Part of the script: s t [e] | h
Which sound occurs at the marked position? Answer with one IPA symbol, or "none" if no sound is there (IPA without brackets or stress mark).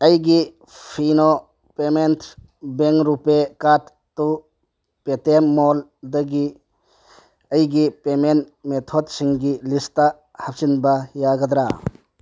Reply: a